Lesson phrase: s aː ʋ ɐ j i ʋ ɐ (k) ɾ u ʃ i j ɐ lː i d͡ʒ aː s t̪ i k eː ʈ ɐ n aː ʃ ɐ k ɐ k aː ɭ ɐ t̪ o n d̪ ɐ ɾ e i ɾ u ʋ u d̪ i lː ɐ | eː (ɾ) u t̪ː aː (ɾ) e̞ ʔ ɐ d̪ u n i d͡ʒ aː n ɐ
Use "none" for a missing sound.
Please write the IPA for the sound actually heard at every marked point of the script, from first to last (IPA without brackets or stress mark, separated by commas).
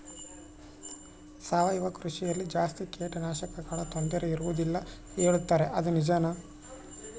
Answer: k, ɭ, ɾ